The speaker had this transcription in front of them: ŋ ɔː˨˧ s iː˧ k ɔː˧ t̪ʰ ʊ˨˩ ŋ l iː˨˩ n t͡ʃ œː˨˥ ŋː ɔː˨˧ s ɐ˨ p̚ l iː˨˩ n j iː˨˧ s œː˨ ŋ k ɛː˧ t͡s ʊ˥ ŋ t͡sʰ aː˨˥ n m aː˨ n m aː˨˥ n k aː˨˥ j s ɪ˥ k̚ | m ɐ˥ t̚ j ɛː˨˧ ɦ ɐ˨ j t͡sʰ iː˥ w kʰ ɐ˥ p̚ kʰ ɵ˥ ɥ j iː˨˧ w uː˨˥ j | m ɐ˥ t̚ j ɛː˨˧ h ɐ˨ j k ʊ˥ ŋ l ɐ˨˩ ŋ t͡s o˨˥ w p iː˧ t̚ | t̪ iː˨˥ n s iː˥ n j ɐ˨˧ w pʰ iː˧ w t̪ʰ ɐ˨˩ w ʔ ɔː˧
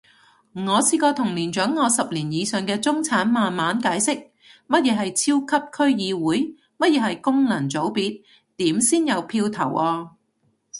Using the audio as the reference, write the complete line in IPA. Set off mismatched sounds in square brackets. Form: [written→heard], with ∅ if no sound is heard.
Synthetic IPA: ŋ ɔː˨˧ s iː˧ k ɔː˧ t̪ʰ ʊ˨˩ ŋ l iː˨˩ n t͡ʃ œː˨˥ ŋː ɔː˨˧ s ɐ˨ p̚ l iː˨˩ n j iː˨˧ s œː˨ ŋ k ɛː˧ t͡s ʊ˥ ŋ t͡sʰ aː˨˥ n m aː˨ n m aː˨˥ n k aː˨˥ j s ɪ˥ k̚ | m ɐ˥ t̚ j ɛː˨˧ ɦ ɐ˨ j t͡sʰ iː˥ w kʰ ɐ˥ p̚ kʰ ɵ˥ ɥ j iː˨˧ w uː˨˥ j | m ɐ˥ t̚ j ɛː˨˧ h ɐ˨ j k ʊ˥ ŋ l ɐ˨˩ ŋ t͡s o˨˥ w p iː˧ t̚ | t̪ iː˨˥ [n→m] s iː˥ n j ɐ˨˧ w pʰ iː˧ w t̪ʰ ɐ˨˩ w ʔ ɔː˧